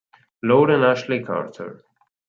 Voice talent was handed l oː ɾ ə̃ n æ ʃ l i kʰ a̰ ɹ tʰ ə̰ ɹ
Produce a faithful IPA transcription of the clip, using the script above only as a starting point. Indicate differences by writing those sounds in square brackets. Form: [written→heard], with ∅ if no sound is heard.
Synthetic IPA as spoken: l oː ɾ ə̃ n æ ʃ l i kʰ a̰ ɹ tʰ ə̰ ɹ